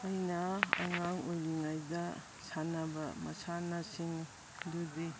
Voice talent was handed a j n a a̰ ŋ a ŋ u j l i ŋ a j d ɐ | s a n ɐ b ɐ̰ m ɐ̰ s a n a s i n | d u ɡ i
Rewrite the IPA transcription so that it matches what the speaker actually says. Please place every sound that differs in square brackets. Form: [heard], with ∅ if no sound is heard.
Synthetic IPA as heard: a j n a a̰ ŋ a ŋ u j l i ŋ a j d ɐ | s a n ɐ b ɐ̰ m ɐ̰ s a n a s i [ŋ] | d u [d] i

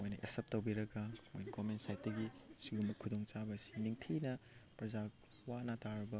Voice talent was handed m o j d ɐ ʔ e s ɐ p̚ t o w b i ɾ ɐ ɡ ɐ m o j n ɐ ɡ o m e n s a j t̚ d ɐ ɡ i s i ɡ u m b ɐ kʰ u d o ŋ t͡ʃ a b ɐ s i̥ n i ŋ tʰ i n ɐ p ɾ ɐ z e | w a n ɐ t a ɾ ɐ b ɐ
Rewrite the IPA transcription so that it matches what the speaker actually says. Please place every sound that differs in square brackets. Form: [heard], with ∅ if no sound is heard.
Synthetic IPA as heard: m o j [n] ɐ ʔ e s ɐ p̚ t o w b i ɾ ɐ ɡ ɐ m o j n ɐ ɡ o m e n s a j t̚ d ɐ ɡ i s i ɡ u m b ɐ kʰ u d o ŋ t͡ʃ a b ɐ s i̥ n i ŋ tʰ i n ɐ p ɾ ɐ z [a] | w a n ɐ t a ɾ ɐ b ɐ

